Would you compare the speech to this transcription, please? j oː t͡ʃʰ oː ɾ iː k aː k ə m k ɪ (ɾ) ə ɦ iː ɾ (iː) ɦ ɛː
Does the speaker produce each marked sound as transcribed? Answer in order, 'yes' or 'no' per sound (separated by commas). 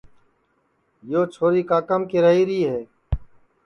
yes, yes